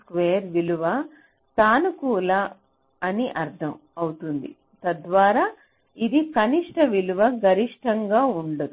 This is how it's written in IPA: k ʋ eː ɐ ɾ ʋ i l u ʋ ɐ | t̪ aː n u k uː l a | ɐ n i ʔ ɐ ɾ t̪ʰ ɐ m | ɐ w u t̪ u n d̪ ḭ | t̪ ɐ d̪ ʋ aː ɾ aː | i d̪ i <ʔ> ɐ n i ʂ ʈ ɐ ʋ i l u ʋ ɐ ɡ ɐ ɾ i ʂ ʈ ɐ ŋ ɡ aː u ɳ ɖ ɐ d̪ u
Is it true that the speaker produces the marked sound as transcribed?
no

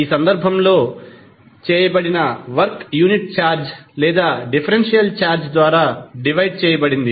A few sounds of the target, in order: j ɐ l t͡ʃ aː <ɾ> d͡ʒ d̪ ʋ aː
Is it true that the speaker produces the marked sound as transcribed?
yes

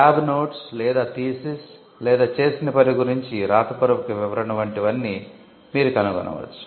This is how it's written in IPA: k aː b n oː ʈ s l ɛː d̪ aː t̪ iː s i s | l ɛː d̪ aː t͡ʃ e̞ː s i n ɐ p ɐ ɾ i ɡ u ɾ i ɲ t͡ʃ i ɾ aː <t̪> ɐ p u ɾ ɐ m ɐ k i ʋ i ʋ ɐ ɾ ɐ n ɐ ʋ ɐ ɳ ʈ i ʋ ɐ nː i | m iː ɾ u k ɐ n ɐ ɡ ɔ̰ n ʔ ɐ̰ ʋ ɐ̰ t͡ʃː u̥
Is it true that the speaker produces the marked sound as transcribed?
yes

